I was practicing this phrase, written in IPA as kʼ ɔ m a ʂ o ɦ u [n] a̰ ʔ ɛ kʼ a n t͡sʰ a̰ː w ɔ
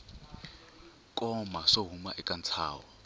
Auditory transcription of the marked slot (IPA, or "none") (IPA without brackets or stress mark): m